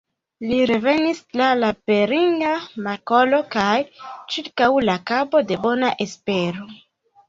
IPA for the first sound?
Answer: l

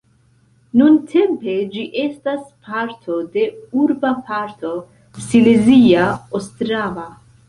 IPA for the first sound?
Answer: n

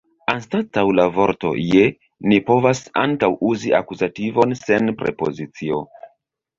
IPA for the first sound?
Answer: a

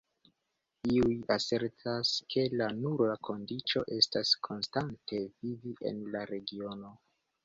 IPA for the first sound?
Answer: i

